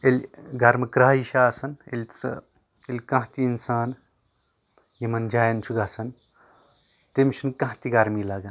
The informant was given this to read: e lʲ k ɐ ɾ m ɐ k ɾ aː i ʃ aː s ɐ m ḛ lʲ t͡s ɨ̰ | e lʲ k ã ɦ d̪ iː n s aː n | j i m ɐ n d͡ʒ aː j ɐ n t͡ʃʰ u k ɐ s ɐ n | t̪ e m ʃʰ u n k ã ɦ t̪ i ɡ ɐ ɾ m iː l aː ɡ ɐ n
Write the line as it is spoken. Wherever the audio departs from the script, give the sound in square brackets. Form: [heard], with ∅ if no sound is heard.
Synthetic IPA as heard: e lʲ [ɡ] ɐ ɾ m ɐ k ɾ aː i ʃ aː s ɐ [n] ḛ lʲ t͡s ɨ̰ | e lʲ k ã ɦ [t̪] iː n s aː n | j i m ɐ n d͡ʒ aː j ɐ n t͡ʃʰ u [ɡ] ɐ s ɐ n | t̪ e m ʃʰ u n k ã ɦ t̪ i ɡ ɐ ɾ m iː l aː ɡ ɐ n